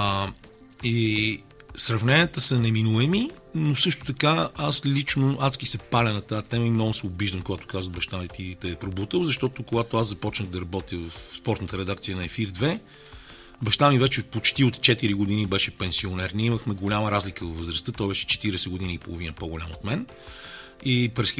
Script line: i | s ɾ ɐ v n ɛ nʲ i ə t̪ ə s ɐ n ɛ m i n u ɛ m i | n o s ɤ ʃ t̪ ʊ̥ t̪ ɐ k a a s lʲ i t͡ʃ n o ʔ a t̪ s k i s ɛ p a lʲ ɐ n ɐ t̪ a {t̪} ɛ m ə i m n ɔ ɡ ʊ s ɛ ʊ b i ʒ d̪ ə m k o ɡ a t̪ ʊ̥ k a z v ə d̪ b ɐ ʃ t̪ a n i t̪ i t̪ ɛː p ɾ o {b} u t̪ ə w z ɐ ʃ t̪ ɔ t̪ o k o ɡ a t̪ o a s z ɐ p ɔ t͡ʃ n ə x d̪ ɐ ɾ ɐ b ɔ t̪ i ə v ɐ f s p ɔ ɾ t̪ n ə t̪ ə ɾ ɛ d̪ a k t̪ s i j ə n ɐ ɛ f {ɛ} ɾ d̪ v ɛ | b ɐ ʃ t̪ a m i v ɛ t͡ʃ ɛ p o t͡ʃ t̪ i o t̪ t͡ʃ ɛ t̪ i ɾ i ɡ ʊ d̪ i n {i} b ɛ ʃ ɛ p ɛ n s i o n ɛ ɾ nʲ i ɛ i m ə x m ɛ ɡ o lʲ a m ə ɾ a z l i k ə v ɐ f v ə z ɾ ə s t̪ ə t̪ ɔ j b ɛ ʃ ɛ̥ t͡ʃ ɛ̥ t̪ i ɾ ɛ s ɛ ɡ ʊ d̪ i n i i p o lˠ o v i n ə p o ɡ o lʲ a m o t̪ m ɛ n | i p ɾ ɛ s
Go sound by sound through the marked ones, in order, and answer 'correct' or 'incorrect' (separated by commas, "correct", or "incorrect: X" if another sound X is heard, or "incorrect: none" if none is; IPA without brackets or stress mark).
correct, correct, incorrect: i, correct